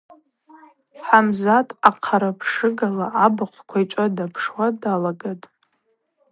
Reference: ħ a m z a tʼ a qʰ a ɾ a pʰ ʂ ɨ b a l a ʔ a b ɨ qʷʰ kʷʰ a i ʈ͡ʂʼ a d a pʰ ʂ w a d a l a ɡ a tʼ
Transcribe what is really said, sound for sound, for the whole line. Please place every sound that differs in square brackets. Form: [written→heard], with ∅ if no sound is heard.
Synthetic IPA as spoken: ħ a m z a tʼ a qʰ a ɾ a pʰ ʂ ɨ [b→ɡ] a l a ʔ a b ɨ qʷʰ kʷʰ a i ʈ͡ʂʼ a d a pʰ ʂ w a d a l a ɡ a tʼ